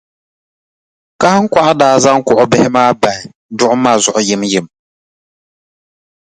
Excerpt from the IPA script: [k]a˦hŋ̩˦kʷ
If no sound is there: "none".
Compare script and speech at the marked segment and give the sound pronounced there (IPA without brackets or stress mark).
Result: k